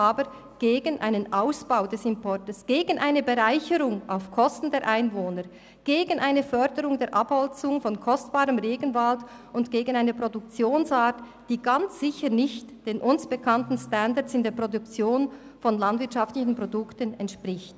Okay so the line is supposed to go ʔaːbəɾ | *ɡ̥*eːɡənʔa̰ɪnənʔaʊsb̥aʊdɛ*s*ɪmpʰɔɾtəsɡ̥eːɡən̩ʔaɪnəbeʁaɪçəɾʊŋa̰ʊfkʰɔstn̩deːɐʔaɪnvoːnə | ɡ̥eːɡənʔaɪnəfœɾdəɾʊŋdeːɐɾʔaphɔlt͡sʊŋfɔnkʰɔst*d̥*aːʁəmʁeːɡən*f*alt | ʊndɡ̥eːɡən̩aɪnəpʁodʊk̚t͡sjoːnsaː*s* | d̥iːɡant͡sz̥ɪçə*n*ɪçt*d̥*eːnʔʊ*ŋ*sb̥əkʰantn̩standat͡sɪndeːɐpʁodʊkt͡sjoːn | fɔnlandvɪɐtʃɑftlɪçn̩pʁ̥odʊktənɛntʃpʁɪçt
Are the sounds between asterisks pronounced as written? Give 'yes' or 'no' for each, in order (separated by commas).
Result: yes, yes, no, no, no, yes, yes, no